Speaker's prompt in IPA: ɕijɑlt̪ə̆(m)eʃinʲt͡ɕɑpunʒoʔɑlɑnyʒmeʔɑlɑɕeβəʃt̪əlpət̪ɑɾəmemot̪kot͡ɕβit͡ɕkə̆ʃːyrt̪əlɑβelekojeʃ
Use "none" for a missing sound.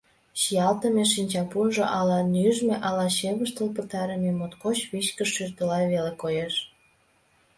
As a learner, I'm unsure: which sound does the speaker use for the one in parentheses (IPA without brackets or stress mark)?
m